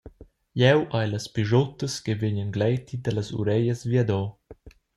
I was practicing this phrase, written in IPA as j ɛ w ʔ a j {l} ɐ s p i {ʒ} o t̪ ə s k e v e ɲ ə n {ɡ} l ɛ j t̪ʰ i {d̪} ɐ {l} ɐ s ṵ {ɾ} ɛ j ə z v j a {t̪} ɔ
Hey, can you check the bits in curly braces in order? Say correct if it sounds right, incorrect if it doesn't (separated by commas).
correct, correct, correct, correct, correct, correct, incorrect